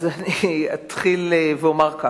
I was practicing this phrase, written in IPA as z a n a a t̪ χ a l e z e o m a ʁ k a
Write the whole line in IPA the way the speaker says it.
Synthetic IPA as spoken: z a n i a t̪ χ i l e v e o m a ʁ k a